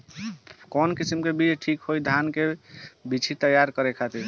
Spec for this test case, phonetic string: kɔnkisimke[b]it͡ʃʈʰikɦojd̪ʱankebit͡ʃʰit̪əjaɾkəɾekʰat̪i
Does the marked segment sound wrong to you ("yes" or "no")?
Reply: no